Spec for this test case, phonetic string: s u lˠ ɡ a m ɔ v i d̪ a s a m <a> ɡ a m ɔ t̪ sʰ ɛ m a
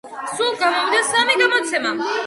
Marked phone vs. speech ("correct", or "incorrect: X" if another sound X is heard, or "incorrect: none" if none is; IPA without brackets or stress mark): incorrect: i